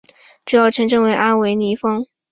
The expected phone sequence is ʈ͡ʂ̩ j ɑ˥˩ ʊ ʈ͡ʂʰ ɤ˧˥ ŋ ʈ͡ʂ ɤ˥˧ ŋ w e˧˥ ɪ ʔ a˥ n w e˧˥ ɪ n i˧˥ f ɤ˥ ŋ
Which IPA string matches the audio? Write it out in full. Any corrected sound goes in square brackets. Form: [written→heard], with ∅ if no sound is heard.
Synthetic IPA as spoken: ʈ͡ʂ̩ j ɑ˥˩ ʊ ʈ͡ʂʰ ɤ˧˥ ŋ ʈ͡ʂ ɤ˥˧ ŋ w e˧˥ ɪ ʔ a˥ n w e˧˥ ɪ n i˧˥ f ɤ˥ ŋ